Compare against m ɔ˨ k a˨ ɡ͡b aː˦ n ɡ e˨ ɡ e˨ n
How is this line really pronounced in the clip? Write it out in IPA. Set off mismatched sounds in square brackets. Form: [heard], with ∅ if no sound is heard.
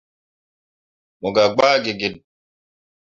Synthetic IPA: m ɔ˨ [ɡ] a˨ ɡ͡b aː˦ [∅] ɡ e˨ ɡ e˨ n

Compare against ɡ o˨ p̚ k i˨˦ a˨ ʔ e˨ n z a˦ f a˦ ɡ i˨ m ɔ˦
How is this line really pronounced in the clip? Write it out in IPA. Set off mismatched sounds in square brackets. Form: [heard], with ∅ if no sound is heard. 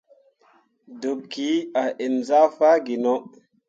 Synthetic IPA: [d] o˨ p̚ k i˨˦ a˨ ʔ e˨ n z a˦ f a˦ ɡ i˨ [n] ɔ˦

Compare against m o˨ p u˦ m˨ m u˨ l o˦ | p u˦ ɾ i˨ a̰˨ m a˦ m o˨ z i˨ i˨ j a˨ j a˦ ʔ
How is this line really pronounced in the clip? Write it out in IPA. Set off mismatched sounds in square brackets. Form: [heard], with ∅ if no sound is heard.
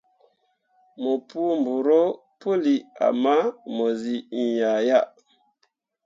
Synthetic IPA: m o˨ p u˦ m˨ [b] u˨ [ɾ] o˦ | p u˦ [l] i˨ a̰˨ m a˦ m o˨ z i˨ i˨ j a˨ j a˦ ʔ

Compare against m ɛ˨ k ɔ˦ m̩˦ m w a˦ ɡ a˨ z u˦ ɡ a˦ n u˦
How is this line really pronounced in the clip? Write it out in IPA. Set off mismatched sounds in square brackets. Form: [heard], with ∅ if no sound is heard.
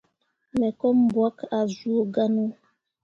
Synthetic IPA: m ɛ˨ k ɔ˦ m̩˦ [b] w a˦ [k] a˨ z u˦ ɡ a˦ n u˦

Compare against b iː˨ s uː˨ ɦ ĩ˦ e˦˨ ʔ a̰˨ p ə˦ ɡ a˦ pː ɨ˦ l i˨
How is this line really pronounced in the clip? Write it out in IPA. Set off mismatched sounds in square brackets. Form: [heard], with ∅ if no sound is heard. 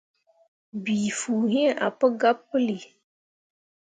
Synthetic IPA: b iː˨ [f] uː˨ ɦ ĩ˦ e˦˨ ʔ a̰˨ p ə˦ ɡ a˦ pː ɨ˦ l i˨

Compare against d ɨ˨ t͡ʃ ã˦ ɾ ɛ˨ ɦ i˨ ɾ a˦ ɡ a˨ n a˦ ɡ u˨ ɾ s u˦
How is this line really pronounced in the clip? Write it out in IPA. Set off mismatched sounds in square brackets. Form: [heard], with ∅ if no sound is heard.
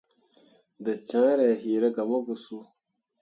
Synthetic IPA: d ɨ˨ t͡ʃ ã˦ ɾ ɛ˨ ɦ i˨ ɾ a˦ ɡ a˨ [m] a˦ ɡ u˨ [∅] s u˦

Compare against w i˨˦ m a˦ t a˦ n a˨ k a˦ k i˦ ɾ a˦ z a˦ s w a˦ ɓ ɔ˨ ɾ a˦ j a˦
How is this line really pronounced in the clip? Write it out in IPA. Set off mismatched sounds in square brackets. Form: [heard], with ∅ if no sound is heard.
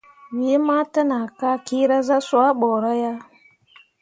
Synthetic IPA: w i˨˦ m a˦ t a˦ n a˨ k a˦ k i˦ ɾ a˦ z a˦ s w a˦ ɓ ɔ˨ ɾ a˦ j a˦

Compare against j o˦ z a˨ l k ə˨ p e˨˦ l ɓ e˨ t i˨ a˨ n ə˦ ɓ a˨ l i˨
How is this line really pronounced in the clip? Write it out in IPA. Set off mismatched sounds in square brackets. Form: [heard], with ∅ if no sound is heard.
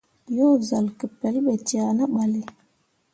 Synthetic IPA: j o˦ z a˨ l k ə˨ p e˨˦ l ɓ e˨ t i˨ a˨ n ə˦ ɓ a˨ l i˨

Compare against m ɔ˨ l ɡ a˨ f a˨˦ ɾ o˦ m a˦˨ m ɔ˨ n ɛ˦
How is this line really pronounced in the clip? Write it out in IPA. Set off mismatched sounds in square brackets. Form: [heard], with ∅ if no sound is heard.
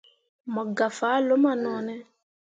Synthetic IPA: m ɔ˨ [∅] ɡ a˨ f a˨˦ [l] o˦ m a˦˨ [n] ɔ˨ n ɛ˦

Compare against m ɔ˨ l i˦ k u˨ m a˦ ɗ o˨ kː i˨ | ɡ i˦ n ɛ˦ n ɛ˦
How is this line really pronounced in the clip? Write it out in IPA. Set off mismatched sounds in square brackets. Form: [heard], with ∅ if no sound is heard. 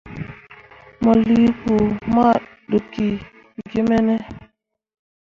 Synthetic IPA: m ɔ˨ l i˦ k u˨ m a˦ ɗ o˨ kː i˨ | ɡ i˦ [m] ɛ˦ n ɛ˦

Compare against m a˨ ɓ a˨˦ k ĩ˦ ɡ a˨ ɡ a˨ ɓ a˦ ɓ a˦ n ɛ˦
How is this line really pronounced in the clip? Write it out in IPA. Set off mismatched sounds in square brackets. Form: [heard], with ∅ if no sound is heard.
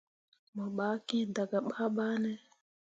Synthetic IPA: m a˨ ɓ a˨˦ k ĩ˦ [d] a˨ ɡ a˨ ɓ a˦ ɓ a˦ n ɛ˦

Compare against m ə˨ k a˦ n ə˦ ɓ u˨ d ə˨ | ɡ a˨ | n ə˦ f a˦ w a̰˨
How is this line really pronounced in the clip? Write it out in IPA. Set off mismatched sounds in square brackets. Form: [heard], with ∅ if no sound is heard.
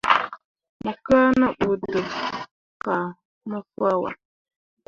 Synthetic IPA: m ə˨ k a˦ n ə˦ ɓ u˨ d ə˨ | [k] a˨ | n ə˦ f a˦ w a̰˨

